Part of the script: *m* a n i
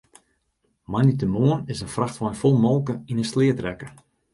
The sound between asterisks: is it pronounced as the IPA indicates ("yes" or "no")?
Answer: yes